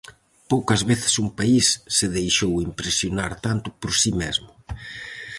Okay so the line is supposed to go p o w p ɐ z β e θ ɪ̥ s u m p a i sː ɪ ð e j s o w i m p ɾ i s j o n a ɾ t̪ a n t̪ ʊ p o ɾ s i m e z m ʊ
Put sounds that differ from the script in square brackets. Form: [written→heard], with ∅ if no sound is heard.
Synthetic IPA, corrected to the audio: p o w [p→k] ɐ z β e θ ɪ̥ s u m p a i sː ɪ ð e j [s→ʃ] o w i m p ɾ [i→e] s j o n a ɾ t̪ a n t̪ ʊ p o ɾ s i m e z m ʊ